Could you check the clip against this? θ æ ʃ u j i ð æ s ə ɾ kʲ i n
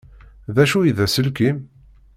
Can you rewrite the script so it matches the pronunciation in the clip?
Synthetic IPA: ð æ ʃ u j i ð æ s ə l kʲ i m